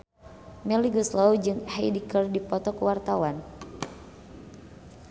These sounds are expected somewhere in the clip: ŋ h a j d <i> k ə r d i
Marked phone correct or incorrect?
correct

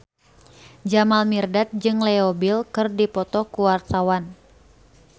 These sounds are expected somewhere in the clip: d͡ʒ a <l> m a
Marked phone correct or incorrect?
incorrect: none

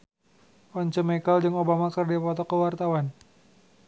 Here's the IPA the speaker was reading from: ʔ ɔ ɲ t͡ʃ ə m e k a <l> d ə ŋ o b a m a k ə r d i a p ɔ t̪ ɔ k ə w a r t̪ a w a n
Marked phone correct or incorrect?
correct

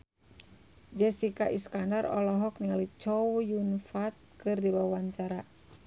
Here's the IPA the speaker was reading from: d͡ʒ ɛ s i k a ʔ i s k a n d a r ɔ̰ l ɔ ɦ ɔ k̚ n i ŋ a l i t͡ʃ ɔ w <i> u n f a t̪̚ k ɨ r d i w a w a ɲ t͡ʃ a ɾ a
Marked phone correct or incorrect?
incorrect: j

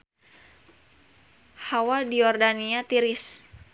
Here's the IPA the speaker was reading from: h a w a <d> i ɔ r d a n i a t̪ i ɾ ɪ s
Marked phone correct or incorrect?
correct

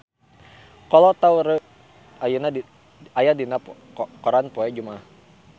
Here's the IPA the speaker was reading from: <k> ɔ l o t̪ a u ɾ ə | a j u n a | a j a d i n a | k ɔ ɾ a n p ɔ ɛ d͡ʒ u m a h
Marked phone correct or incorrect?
correct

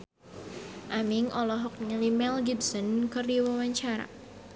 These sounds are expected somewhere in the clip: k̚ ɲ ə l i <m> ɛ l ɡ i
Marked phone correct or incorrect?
correct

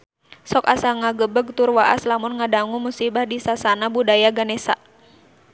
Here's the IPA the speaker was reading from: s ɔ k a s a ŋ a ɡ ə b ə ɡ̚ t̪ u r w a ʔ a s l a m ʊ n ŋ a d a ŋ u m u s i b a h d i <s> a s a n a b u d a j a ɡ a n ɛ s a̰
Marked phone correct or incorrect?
correct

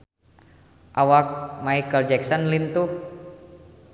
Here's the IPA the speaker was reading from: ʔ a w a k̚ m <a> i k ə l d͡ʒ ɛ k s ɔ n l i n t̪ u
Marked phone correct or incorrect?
correct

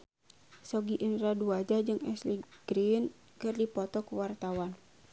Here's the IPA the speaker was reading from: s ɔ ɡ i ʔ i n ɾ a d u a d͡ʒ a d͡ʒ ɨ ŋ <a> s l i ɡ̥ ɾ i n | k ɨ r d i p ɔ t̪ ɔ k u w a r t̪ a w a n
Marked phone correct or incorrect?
incorrect: ɛ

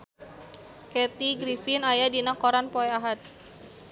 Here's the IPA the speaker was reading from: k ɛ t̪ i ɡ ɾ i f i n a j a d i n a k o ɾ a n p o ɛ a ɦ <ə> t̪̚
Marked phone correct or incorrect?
incorrect: a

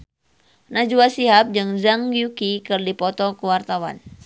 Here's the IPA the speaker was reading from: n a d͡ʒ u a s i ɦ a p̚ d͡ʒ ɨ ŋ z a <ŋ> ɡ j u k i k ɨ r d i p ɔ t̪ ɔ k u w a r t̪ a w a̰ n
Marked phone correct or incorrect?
correct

